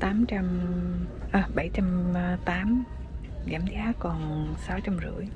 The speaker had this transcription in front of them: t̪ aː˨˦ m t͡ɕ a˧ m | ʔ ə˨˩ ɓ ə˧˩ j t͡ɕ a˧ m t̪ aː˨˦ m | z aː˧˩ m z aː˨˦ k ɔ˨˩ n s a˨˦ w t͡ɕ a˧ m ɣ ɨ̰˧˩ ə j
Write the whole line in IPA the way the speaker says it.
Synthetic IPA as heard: t̪ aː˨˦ m t͡ɕ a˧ m | ʔ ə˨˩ ɓ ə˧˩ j t͡ɕ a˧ m t̪ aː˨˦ m | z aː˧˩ m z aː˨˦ k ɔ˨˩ n s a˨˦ w t͡ɕ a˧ m z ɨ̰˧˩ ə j